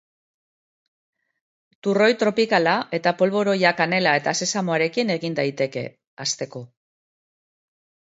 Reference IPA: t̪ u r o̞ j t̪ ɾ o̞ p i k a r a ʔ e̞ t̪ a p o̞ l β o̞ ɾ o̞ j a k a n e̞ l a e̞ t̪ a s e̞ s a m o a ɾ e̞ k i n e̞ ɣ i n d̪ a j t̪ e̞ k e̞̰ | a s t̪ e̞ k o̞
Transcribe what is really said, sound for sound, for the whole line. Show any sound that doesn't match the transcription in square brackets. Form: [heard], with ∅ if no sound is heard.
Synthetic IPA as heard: t̪ u r o̞ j t̪ ɾ o̞ p i k a [l] a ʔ e̞ t̪ a p o̞ l β o̞ ɾ o̞ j a k a n e̞ l a e̞ t̪ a s e̞ s a m o a ɾ e̞ k i n e̞ ɣ i n d̪ a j t̪ e̞ k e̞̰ | a s t̪ e̞ k o̞